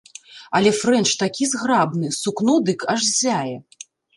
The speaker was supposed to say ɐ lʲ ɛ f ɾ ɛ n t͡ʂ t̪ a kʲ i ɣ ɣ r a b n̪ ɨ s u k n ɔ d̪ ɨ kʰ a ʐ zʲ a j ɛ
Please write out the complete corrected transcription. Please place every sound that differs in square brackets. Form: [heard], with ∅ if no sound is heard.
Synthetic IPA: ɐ lʲ ɛ f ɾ ɛ n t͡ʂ t̪ a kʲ i [z] ɣ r a b n̪ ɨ s u k n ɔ d̪ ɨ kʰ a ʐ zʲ a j ɛ